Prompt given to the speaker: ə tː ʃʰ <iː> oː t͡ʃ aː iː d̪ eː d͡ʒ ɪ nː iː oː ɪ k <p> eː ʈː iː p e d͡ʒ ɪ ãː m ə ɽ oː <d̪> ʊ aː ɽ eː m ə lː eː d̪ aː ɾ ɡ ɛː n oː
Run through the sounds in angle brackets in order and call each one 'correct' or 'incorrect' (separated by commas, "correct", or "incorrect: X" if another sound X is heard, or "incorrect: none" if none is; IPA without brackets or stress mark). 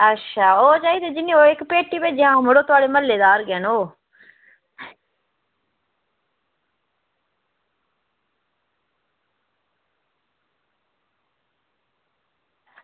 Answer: incorrect: aː, correct, incorrect: t̪